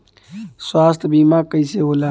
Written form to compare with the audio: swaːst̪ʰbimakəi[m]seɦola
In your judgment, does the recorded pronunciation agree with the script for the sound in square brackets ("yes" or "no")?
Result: no